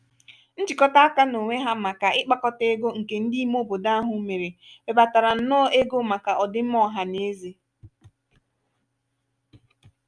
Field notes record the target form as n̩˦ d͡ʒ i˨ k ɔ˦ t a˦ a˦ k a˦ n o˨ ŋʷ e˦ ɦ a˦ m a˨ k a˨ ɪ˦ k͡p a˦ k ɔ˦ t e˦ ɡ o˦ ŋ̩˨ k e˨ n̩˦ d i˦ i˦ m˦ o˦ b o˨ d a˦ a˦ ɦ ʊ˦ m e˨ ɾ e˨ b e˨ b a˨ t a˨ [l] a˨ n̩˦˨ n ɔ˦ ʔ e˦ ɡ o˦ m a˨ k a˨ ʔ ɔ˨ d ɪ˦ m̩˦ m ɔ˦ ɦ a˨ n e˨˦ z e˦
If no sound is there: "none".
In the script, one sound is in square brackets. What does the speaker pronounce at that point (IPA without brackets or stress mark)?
ɾ